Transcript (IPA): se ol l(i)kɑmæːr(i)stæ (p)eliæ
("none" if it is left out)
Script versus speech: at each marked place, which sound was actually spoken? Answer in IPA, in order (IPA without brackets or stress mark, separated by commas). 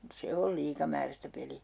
iː, æ, p